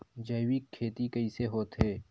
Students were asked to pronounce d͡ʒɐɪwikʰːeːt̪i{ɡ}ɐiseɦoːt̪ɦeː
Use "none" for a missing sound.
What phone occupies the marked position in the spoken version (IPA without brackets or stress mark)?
k